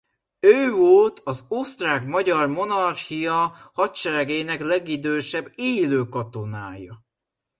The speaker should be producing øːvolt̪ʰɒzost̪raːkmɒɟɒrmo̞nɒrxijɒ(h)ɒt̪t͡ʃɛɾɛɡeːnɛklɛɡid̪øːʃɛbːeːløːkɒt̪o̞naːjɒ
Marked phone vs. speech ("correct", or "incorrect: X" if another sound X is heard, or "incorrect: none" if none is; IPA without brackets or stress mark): correct